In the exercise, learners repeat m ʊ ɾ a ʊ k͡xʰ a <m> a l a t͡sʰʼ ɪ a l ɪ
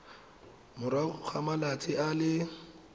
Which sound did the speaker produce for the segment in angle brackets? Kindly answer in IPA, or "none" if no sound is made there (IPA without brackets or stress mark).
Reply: m